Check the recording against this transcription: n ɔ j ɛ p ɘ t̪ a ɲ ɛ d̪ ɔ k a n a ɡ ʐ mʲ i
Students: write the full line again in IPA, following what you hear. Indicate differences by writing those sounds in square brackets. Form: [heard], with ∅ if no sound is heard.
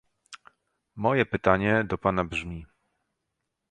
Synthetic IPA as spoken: [m] ɔ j ɛ p ɘ t̪ a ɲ ɛ d̪ ɔ [p] a n a [b] ʐ mʲ i